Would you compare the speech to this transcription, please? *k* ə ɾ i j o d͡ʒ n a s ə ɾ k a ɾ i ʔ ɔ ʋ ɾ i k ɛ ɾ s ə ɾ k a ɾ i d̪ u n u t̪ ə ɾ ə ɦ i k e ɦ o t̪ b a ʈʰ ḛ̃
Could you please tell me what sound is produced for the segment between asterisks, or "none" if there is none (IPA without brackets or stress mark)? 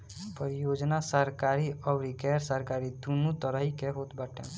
p